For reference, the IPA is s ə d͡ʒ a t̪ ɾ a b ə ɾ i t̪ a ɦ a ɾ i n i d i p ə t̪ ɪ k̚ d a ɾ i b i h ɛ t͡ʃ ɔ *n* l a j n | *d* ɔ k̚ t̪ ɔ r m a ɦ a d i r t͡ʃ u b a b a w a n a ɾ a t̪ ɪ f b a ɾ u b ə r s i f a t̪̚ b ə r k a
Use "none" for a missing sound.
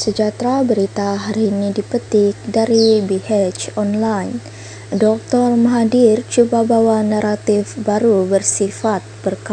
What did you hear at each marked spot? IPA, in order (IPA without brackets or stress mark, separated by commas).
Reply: n, d